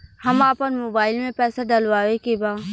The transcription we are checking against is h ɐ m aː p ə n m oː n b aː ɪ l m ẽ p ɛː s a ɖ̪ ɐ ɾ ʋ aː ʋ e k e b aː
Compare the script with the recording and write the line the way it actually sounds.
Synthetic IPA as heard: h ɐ m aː p ə n m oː b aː ɪ l m ẽ p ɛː s a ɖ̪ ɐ l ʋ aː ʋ e k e b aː